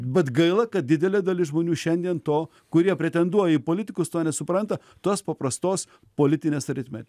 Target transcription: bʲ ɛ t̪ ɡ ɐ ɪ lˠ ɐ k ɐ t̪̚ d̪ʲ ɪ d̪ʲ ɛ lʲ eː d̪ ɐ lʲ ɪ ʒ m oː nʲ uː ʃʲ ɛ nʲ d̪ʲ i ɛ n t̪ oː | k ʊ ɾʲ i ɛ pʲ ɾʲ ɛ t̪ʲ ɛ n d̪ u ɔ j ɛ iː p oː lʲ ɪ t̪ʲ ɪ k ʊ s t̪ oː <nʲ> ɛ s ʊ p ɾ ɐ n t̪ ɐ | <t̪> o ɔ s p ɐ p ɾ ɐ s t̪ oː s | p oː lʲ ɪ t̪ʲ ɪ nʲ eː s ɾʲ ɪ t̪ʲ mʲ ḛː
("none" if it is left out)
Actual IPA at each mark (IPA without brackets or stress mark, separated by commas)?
nʲ, t̪